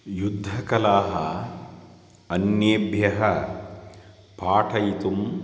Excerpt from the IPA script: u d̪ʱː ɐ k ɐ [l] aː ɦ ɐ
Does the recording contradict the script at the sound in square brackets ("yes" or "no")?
no